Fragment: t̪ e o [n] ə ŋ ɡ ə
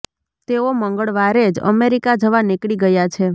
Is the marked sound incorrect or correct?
incorrect